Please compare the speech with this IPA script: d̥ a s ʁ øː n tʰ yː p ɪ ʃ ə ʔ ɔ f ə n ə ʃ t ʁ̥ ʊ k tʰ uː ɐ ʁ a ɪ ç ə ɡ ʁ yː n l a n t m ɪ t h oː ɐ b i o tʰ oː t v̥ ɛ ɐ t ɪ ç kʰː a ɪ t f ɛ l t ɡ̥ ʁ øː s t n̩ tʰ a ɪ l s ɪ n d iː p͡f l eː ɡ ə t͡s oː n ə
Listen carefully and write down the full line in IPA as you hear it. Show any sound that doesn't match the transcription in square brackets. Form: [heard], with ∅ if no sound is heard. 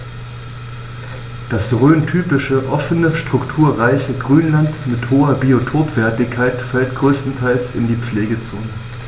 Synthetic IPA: d̥ a s ʁ øː n tʰ yː p ɪ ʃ ə ʔ ɔ f ə n ə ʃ t ʁ̥ ʊ k tʰ uː ɐ ʁ a ɪ ç ə ɡ ʁ yː n l a n t m ɪ t h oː ɐ b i o tʰ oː t v̥ ɛ ɐ t ɪ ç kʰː a ɪ t f ɛ l t ɡ̥ ʁ øː s t n̩ tʰ a ɪ l s ɪ n d iː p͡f l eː ɡ ə t͡s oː n ə